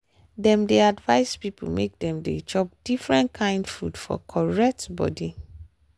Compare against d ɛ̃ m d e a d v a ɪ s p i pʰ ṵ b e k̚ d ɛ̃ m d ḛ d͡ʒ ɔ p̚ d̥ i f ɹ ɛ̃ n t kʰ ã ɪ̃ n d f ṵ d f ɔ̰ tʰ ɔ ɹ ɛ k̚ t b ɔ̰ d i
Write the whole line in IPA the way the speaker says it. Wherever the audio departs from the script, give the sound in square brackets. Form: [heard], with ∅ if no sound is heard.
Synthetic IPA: d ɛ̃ m d e a d v a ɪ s p i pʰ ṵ [m] e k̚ d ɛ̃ m d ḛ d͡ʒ ɔ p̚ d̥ i f ɹ ɛ̃ n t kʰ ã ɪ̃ n d f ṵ d f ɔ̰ [kʰ] ɔ ɹ ɛ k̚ t b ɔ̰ d i